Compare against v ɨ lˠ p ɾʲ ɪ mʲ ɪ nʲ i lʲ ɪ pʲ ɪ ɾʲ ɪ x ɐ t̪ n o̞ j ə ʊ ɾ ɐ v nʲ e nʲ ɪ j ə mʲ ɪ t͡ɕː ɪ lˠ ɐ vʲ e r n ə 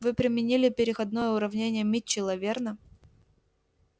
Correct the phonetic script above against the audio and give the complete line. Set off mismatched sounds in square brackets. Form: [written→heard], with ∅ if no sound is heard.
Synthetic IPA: v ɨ [lˠ→∅] p ɾʲ ɪ mʲ ɪ nʲ i lʲ ɪ pʲ ɪ ɾʲ ɪ x ɐ [t̪→d̪] n o̞ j ə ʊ ɾ ɐ v nʲ e nʲ ɪ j ə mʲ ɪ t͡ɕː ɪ lˠ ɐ vʲ e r n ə